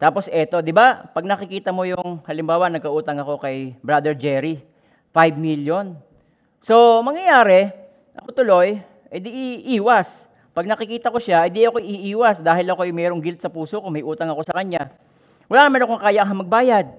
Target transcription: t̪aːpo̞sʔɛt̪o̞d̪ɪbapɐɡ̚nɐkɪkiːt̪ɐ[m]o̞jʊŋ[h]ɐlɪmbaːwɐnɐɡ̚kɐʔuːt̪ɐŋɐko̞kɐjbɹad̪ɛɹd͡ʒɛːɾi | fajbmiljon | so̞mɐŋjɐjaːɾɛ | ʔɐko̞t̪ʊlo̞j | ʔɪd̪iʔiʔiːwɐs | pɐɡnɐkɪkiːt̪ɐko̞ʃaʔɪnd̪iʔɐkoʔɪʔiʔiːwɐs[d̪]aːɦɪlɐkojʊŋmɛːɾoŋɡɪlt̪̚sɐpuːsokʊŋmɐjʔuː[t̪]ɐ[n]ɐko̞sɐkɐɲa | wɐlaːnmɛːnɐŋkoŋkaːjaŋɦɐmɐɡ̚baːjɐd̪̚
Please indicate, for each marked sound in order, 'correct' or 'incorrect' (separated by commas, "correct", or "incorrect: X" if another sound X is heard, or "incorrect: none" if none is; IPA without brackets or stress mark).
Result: correct, correct, correct, correct, incorrect: ŋ